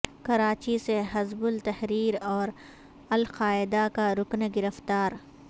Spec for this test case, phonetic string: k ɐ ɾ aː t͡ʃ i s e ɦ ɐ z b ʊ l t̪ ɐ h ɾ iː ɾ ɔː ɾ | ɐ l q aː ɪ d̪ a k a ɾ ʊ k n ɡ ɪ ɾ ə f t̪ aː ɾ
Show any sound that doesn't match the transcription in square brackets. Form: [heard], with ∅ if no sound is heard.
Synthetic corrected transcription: k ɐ ɾ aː t͡ʃ i s e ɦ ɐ z b ʊ l t̪ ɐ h ɾ iː ɾ ɔː ɾ | ɐ l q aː ɪ d̪ a k a ɾ ʊ k n ɡ ɪ ɾ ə f t̪ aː ɾ